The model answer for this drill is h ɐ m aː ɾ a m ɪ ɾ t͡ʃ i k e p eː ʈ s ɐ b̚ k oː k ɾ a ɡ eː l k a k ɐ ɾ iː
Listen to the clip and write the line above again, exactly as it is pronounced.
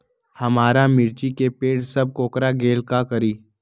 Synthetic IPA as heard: h ɐ m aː ɾ a m ɪ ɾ t͡ʃ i k e p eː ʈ s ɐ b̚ k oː k ɾ a ɡ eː l k a k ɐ ɾ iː

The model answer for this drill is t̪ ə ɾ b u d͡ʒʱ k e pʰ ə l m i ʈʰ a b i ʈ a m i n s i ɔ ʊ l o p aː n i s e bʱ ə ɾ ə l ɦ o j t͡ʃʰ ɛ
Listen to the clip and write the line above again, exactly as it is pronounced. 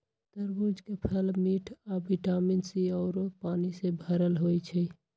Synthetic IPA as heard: t̪ ə ɾ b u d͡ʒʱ k e pʰ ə l m i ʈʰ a b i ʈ a m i n s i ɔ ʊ ɾ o p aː n i s e bʱ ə ɾ ə l ɦ o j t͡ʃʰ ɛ

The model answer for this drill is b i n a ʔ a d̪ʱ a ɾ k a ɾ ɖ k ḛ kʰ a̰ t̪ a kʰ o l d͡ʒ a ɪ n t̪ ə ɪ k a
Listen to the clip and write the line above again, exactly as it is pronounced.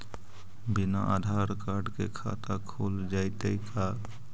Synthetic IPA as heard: b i n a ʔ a d̪ʱ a ɾ k a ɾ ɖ k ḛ kʰ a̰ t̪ a kʰ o l d͡ʒ a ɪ t̪ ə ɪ k a

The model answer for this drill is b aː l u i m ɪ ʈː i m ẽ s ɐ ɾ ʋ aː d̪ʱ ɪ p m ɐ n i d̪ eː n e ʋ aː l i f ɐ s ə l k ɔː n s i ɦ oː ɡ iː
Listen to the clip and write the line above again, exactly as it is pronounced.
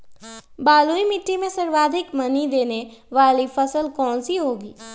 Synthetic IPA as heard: b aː l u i m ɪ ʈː i m ẽ s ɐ ɾ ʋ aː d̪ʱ ɪ k m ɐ n i d̪ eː n e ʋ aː l i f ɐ s ə l k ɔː n s i ɦ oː ɡ iː

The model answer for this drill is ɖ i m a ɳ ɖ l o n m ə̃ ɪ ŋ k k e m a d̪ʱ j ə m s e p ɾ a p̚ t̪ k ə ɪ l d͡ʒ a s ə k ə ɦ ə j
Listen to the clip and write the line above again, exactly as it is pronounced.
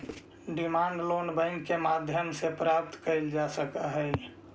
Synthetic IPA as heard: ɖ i m a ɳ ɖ l o n b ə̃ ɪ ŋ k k e m a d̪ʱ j ə m s e p ɾ a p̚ t̪ k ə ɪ l d͡ʒ a s ə k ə ɦ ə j

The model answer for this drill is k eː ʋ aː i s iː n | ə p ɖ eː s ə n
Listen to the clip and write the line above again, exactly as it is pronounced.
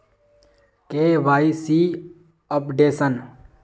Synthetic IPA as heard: k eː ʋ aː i s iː | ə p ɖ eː s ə n

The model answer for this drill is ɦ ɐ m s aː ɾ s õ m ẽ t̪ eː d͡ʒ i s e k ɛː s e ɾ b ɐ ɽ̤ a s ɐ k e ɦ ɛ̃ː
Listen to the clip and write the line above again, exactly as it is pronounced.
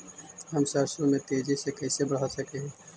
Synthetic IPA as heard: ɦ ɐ m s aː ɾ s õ m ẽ t̪ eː d͡ʒ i s e k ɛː s e b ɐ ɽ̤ a s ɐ k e ɦ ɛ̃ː

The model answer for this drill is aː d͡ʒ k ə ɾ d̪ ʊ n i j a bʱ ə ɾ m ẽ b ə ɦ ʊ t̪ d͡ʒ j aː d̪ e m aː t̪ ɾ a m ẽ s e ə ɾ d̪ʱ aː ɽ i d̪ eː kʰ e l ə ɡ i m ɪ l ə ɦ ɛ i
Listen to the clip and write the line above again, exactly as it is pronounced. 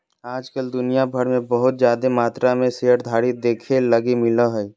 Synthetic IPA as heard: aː d͡ʒ k ə l d̪ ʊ n i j a bʱ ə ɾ m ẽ b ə ɦ ʊ t̪ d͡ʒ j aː d̪ e m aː t̪ ɾ a m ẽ s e ə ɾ d̪ʱ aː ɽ i d̪ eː kʰ e l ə ɡ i m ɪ l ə ɦ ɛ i

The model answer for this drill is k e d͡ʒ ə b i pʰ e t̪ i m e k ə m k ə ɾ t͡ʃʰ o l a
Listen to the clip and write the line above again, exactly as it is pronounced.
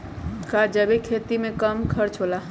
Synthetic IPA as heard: k a d͡ʒ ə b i kʰ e t̪ i m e k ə m kʰ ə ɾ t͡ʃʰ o l a

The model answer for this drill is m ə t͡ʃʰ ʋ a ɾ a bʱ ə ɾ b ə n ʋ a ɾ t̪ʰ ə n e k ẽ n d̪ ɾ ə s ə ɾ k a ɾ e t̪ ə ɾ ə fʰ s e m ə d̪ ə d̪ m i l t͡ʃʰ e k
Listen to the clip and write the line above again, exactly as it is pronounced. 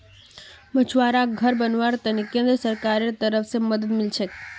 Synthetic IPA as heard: m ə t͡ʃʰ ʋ a ɾ a ɡʱ ə ɾ b ə n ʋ a ɾ t̪ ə n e k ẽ n d̪ ɾ ə s ə ɾ k a ɾ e t̪ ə ɾ ə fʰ s e m ə d̪ ə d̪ m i l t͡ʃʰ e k

